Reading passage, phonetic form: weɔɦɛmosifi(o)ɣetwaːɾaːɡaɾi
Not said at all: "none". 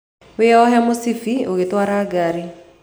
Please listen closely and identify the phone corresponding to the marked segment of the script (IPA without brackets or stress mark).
o